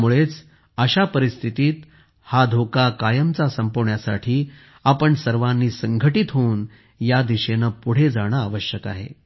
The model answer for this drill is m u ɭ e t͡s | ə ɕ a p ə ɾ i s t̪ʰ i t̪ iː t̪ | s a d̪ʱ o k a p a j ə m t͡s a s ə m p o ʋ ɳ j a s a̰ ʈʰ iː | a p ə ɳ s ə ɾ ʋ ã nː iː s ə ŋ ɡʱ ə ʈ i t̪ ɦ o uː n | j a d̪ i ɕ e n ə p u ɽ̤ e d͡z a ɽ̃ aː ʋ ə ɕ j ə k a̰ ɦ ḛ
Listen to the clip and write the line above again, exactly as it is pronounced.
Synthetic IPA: m u ɭ e t͡s | ə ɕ a p ə ɾ i s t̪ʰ i t̪ iː t̪ | h a d̪ʱ o k a k a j ə m t͡s a s ə m p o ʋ ɳ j a s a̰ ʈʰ iː | a p ə ɳ s ə ɾ ʋ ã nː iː s ə ŋ ɡʱ ə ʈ i t̪ ɦ o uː n | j a d̪ i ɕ e n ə p u ɽ̤ e d͡z a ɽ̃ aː ʋ ə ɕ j ə k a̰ ɦ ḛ